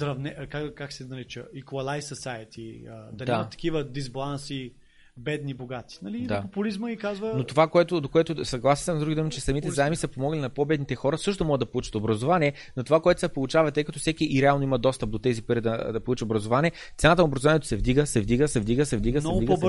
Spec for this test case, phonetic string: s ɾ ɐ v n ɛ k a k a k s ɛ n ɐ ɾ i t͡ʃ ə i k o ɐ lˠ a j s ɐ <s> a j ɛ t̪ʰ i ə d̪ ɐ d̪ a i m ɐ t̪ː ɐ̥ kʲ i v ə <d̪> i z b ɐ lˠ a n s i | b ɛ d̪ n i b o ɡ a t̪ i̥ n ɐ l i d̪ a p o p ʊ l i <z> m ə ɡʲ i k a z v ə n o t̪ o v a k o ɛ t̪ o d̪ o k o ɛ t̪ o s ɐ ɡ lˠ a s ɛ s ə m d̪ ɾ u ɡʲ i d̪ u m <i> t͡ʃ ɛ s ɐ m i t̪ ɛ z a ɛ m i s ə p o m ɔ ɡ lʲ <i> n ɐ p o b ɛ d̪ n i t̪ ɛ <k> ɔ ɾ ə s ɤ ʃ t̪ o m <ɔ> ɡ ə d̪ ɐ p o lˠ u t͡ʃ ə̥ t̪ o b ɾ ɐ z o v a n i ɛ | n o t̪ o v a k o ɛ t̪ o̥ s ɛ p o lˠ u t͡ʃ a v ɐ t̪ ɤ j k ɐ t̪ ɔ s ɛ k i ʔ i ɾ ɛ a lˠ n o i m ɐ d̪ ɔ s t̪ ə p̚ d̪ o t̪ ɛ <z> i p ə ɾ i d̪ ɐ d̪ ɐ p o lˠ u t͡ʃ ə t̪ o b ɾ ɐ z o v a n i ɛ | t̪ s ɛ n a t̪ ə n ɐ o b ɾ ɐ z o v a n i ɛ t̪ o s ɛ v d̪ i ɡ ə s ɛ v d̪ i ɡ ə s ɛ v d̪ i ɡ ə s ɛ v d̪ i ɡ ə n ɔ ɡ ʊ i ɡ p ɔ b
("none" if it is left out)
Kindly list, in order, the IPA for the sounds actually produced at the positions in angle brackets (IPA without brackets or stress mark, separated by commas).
s, d̪, z, i, i, x, ɔ, z